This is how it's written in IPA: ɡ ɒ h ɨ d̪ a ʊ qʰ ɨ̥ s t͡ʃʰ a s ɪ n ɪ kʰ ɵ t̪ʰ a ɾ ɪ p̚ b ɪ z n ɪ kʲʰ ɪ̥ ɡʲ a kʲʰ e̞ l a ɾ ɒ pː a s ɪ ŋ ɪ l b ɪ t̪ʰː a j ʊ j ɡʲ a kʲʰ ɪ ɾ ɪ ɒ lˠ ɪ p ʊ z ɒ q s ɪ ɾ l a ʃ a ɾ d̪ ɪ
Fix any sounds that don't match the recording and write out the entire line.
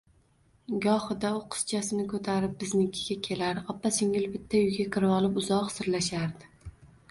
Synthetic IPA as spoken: ɡ ɒ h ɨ d̪ a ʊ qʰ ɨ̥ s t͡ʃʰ a s ɪ n ɪ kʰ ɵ t̪ʰ a ɾ ɪ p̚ b ɪ z n ɪ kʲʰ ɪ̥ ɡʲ a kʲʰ e̞ l a ɾ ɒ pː a s ɪ ŋ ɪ l b ɪ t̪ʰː a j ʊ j ɡʲ a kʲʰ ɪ ɾ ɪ ɒ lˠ ɪ p ʊ z ɒ q s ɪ ɾ l a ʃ a ɾ d̪ ɪ

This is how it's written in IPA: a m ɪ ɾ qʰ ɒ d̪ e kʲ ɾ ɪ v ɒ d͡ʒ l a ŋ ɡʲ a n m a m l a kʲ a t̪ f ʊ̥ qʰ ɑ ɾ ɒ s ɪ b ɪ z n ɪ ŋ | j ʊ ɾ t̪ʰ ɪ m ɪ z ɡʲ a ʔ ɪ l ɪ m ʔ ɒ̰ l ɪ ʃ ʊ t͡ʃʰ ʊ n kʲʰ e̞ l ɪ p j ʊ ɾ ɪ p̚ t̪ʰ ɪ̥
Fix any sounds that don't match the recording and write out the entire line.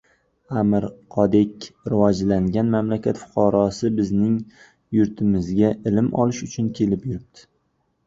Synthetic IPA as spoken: a m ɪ ɾ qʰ ɒ d̪ e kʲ ɾ ɪ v ɒ d͡ʒ l a ŋ ɡʲ a n m a m l a kʲ a t̪ f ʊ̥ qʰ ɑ ɾ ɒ s ɪ b ɪ z n ɪ ŋ | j ʊ ɾ t̪ʰ ɪ m ɪ z ɡʲ a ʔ ɪ l ɪ m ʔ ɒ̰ l ɪ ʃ ʊ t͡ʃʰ ʊ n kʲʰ e̞ l ɪ p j ʊ ɾ ɪ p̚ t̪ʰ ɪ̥

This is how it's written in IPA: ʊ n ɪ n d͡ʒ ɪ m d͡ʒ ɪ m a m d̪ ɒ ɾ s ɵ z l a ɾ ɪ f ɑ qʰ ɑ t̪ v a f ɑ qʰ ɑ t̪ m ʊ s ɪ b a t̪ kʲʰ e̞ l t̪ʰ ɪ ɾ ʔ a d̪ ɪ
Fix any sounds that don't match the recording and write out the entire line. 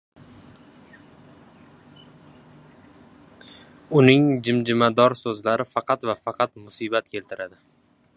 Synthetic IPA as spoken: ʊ n ɪ ŋ d͡ʒ ɪ m d͡ʒ ɪ m a d̪ ɒ ɾ s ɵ z l a ɾ ɪ f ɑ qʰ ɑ t̪ v a f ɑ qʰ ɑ t̪ m ʊ s i b a t̪ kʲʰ e̞ l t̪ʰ ɪ ɾ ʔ a d̪ ɪ

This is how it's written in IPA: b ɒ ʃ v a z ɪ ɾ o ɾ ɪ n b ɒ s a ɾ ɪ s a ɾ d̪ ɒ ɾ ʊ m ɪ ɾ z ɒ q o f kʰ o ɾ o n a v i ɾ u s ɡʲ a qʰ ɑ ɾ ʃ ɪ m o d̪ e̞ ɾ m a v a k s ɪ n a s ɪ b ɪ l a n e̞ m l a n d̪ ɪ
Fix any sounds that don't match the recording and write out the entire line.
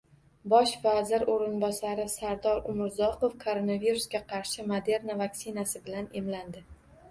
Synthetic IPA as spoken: b ɒ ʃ v a z ɪ ɾ o ɾ ɪ n b ɒ s a ɾ ɪ s a ɾ d̪ ɒ ɾ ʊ m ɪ ɾ z ɒ q o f kʰ o ɾ o n a v i ɾ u s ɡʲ a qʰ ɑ ɾ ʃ ɪ m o d̪ e̞ ɾ n a v a k s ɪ n a s ɪ b ɪ l a n e̞ m l a n d̪ ɪ

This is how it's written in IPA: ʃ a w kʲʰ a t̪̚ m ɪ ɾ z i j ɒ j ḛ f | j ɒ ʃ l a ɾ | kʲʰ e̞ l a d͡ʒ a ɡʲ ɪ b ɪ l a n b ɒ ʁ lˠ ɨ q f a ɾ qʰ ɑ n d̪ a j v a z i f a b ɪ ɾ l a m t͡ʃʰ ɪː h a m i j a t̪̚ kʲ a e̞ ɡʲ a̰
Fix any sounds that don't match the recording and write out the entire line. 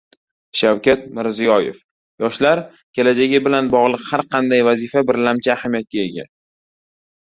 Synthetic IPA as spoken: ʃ a w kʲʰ a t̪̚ m ɪ ɾ z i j ɒ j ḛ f | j ɒ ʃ l a ɾ | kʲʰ e̞ l a d͡ʒ a ɡʲ ɪ b ɪ l a n b ɒ ʁ lˠ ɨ q h a ɾ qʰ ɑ n d̪ a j v a z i f a b ɪ ɾ l a m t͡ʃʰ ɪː h a m i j a t̪̚ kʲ a e̞ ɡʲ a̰

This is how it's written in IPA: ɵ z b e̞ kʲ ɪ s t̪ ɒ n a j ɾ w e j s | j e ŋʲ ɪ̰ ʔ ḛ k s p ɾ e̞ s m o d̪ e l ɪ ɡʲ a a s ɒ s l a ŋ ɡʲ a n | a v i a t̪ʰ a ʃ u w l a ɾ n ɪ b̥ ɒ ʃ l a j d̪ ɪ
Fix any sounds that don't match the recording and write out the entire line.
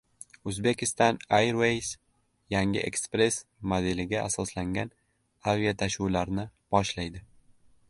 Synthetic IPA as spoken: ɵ z b e̞ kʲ ɪ s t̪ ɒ n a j ɾ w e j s | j a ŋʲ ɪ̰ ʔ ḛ k s p ɾ e̞ s m o d̪ e l ɪ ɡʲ a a s ɒ s l a ŋ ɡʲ a n | a v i a t̪ʰ a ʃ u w l a ɾ n ɪ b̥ ɒ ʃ l a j d̪ ɪ

